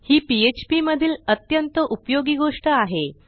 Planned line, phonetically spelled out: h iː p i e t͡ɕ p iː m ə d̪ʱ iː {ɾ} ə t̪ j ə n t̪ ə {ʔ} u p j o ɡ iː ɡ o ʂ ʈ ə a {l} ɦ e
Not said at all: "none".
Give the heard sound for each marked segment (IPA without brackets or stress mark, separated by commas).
l, ʔ, none